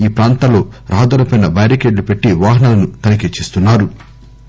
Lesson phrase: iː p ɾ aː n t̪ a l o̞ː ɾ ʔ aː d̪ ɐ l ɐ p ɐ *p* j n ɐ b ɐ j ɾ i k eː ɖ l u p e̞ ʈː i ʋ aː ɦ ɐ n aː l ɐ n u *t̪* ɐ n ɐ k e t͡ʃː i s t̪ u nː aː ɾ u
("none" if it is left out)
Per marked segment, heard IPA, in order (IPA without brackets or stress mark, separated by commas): none, t̪